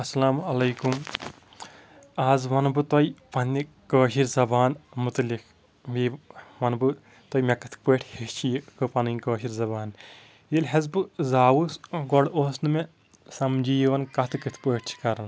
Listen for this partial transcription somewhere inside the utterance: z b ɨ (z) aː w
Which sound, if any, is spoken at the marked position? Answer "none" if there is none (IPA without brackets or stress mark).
z